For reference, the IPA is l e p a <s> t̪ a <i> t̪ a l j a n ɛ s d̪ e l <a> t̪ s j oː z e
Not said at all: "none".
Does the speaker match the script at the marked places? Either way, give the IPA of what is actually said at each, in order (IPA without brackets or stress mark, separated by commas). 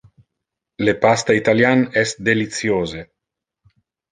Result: s, i, i